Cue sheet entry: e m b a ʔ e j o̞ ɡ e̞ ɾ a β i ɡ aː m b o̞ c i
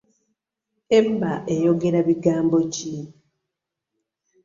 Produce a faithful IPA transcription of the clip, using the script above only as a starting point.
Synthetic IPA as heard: e m b a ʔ e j o̞ ɡ e̞ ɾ a β i ɡ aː m b o̞ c i

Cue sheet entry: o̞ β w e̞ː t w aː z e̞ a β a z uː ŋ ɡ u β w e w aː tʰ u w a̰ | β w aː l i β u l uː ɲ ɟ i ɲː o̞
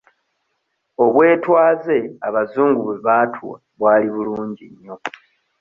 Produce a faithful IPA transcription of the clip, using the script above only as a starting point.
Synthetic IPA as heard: o̞ β w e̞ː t w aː z e̞ a β a z uː ŋ ɡ u β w e β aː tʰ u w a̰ | β w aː l i β u l uː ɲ ɟ i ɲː o̞

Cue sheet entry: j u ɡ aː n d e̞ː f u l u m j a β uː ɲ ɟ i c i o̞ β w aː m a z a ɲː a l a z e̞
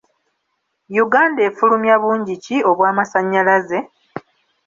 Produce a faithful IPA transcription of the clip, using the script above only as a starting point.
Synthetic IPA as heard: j u ɡ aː n d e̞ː f u l u m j a β uː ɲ ɟ i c i o̞ β w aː m a s a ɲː a l a z e̞

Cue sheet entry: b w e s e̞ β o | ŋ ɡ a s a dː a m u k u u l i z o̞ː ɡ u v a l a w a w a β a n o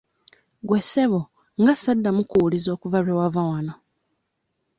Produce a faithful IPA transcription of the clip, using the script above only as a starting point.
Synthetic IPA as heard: ɡ w e s e̞ β o | ŋ ɡ a s a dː a m u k u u l i z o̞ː k u v a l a w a v a w a n o

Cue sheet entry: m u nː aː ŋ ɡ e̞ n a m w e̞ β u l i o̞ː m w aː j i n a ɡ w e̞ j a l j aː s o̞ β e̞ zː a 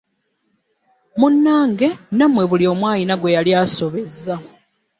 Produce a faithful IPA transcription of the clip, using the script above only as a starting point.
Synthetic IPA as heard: m u nː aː ŋ ɡ e̞ n a m w e̞ β u l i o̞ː m w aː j i n a ɡ w e̞ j a l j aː s o̞ β e̞ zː a

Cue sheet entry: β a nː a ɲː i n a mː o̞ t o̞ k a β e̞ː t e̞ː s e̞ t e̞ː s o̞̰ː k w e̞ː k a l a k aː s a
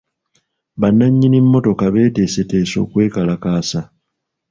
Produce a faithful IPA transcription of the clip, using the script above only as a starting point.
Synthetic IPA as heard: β a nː a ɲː i n i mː o̞ t o̞ k a β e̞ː t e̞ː s e̞ t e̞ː s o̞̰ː k w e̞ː k a l a k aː s a

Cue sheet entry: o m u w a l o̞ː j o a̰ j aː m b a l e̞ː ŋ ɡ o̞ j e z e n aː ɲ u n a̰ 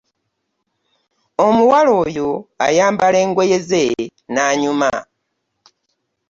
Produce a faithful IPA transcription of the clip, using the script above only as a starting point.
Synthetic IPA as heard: o m u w a l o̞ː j o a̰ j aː m b a l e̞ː ŋ ɡ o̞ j e z e n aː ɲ u m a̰

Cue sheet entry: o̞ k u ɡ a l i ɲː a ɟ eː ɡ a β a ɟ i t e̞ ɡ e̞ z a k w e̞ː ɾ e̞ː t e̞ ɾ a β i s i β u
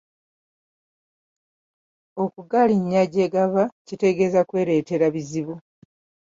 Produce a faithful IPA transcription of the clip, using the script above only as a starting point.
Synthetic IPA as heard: o̞ k u ɡ a l i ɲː a ɟ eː ɡ a β a c i t e̞ ɡ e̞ z a k w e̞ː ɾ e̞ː t e̞ ɾ a β i z i β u

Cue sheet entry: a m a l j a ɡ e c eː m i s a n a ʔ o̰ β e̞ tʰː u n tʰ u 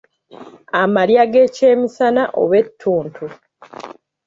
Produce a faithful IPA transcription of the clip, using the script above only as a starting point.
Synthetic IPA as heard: a m a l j a ɡ e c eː m i s a n a ʔ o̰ β e̞ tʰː uː n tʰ u

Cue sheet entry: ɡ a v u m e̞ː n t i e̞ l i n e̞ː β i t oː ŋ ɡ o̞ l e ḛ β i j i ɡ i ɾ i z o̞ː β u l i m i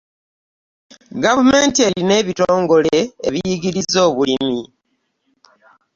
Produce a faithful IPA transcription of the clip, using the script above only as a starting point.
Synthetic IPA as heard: ɡ a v u m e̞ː n t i e̞ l i n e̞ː β i t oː ŋ ɡ o̞ l e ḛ β i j i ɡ i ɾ i z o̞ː β u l i m i

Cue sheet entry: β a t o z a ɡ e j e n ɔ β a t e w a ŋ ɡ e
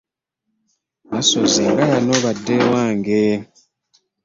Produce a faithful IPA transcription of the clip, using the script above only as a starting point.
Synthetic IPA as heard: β a s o z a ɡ a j a n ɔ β a d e w a ŋ ɡ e

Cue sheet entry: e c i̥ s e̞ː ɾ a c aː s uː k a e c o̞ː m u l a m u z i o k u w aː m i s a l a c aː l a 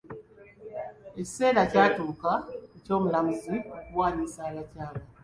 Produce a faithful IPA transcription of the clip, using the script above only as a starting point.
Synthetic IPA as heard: e c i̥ s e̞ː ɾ a c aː t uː k a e c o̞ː m u l a m u z i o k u w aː ɲ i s a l a c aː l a

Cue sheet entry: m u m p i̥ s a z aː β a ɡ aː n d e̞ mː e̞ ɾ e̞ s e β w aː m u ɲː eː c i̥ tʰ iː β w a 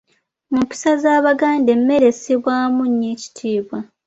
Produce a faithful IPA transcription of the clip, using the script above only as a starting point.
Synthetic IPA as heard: m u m p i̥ s a z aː β a ɡ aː n d e̞ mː e̞ ɾ e̞ s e β w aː m u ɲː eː c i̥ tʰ iː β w a

